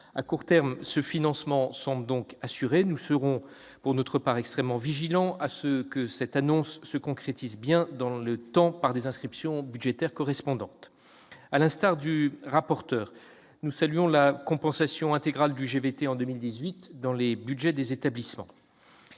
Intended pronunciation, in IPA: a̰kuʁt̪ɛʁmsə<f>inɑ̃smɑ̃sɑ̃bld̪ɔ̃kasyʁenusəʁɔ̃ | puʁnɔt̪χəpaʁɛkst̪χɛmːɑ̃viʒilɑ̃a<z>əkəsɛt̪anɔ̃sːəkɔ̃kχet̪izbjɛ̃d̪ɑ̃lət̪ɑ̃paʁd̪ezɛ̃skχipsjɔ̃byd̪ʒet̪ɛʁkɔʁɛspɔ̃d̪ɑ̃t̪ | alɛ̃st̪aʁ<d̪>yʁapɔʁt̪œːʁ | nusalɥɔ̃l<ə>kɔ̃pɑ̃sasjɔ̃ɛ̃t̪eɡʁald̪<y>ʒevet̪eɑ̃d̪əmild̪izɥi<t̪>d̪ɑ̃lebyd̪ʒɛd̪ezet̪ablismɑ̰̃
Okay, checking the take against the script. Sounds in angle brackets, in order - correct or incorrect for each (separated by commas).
correct, incorrect, correct, incorrect, correct, correct